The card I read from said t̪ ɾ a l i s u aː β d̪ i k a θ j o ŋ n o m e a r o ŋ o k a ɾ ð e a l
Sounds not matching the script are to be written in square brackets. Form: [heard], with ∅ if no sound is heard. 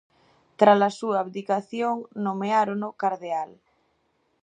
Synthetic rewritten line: t̪ ɾ a l [a] s u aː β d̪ i k a θ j o ŋ n o m e a [ɾ] o [n] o k a ɾ ð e a l